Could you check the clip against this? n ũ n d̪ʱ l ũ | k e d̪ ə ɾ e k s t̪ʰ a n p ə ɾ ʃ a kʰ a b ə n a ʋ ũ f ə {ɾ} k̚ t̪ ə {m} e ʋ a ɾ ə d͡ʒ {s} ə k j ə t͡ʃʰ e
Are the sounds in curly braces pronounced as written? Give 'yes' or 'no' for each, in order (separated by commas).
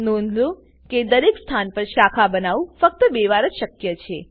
no, no, no